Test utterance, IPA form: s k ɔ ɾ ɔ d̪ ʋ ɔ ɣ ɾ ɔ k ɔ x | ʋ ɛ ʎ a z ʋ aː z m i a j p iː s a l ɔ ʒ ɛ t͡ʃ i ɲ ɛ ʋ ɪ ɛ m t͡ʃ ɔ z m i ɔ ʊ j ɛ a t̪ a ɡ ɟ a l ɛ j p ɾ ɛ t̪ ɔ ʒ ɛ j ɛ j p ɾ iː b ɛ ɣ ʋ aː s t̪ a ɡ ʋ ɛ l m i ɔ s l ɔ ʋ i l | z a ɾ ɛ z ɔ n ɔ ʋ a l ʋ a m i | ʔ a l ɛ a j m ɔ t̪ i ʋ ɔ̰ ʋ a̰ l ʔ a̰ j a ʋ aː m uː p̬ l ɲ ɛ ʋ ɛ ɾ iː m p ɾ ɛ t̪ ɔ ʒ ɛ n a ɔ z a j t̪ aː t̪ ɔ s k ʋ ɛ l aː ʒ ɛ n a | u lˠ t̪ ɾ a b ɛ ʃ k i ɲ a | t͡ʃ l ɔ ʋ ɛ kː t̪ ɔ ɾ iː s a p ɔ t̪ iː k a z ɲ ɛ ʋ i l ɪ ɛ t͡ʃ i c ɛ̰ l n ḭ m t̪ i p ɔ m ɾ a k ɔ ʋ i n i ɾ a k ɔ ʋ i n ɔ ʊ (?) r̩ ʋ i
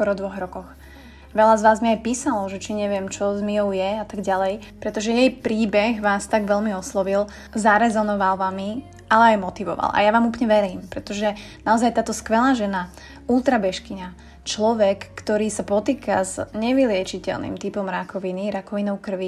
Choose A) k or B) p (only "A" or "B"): A